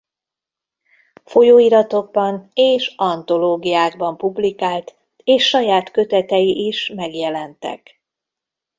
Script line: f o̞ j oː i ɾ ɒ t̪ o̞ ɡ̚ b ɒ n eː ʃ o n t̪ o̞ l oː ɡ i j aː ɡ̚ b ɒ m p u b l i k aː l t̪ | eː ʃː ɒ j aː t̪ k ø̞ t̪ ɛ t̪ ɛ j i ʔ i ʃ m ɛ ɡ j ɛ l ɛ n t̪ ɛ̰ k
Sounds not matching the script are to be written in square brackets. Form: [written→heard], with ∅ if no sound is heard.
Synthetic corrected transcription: f o̞ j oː i ɾ ɒ t̪ o̞ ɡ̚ b ɒ n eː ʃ [o→ɒ] n t̪ o̞ l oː ɡ i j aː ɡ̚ b ɒ m p u b l i k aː l t̪ | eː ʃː ɒ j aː t̪ k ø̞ t̪ ɛ t̪ ɛ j i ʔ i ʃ m ɛ ɡ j ɛ l ɛ n t̪ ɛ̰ k